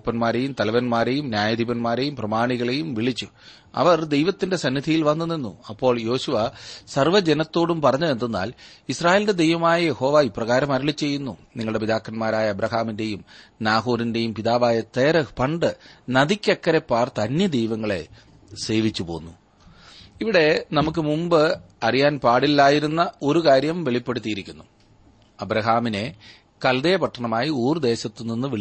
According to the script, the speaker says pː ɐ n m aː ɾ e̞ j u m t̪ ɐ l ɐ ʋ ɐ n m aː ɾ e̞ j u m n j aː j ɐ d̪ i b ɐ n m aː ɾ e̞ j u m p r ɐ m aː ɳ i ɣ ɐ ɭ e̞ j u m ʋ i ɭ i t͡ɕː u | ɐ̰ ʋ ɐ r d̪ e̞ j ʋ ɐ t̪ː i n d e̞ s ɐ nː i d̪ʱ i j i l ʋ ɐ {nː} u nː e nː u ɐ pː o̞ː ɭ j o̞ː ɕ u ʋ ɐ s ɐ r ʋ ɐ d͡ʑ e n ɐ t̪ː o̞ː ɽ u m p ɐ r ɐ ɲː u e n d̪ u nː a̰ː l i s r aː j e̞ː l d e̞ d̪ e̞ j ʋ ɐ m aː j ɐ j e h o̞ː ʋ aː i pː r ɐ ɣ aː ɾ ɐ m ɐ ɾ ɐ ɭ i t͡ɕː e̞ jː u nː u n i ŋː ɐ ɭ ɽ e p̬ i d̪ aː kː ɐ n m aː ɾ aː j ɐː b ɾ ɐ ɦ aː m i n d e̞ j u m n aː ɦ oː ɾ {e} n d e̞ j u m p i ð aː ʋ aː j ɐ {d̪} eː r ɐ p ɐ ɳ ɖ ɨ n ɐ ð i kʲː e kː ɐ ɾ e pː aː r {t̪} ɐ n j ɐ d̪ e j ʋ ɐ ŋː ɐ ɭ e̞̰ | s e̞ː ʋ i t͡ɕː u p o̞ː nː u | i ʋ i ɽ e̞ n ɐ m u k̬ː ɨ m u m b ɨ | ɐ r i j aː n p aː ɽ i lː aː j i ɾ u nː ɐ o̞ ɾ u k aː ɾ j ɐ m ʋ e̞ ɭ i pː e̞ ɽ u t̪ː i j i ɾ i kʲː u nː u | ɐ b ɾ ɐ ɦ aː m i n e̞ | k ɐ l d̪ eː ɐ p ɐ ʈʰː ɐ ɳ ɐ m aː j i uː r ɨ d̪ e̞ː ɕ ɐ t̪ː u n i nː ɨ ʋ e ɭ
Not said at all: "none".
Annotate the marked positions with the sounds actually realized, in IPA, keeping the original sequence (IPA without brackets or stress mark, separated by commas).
nː, i, t̪, t̪